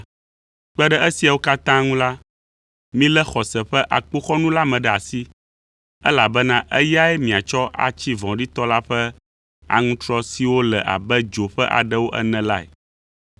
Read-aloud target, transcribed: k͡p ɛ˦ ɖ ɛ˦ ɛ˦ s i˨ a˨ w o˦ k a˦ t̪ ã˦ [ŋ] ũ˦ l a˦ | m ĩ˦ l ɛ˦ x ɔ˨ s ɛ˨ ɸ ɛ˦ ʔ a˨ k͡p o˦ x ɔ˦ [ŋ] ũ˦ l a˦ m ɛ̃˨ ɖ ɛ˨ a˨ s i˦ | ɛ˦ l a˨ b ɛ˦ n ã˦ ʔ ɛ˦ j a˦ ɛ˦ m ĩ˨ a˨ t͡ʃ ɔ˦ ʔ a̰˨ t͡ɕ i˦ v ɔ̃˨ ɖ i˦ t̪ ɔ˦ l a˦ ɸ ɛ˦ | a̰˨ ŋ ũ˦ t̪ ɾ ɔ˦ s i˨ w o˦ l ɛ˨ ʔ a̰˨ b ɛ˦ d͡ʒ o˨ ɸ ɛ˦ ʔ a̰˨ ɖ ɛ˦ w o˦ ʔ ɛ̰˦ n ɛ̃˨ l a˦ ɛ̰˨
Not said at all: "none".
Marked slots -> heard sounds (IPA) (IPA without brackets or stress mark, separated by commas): ŋ, n